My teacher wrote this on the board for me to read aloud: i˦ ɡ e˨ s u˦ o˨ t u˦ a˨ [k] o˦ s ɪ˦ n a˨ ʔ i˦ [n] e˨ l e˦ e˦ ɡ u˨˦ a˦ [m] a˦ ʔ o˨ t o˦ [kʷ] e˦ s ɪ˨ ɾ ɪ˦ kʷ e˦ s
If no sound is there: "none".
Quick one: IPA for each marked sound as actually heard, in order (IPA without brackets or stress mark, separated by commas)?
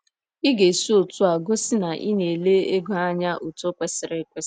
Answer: ɡ, n, ɲ, kʷ